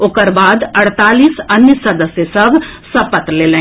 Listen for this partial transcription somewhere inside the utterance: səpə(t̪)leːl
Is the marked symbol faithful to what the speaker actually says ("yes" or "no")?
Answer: yes